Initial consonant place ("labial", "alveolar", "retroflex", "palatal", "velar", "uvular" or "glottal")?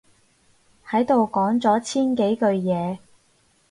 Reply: glottal